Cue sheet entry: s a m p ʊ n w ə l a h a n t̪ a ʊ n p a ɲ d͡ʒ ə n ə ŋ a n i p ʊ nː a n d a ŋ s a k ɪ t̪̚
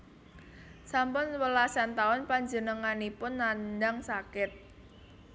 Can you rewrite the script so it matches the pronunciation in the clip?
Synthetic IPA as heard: s a m p ʊ n w ə l a s a n t̪ a ʊ n p a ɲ d͡ʒ ə n ə ŋ a n i p ʊ nː a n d a ŋ s a k ɪ t̪̚